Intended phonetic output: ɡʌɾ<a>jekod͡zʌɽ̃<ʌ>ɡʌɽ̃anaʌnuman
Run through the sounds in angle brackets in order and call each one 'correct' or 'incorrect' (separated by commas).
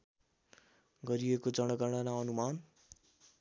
incorrect, correct